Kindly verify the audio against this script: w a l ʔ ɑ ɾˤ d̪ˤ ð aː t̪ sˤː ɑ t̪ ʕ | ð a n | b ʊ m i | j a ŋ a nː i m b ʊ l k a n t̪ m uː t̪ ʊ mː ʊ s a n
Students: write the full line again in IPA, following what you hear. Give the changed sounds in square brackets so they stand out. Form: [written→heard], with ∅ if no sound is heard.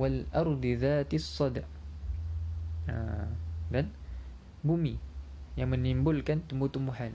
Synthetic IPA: w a l ʔ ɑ ɾˤ d̪ˤ ð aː t̪ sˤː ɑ [t̪→d̪] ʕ | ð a n | b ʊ m i | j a [ŋ→m] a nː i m b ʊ l k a n t̪ m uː t̪ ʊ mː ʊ [s→ħ] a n